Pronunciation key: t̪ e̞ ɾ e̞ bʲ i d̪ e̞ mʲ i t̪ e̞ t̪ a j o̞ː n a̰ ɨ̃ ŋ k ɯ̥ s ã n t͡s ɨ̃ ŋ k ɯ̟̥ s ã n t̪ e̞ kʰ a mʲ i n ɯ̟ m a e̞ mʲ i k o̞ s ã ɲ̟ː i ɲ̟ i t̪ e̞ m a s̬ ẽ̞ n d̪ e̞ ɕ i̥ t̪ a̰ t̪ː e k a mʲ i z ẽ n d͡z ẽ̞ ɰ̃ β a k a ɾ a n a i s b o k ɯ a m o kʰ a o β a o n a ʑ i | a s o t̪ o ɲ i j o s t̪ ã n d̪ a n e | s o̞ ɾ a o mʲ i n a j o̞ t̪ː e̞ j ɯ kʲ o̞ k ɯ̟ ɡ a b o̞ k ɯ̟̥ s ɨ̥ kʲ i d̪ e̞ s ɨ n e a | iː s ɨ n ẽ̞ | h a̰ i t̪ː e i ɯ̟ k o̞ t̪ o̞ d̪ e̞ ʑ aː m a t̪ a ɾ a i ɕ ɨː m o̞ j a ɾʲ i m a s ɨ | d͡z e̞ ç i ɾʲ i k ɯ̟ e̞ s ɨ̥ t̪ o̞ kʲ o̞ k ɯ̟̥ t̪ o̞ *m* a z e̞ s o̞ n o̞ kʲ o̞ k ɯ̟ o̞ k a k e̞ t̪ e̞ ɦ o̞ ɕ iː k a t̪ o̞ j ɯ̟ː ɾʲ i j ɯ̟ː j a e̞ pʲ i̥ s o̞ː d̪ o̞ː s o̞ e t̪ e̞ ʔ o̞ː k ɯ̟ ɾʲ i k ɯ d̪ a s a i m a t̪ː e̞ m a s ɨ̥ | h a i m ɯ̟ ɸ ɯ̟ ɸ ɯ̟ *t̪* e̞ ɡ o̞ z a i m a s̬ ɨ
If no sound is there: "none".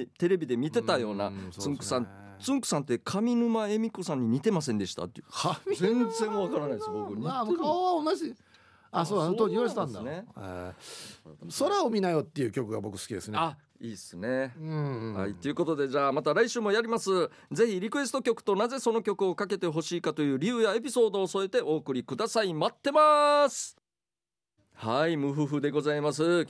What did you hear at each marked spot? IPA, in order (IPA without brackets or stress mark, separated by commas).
n, d̪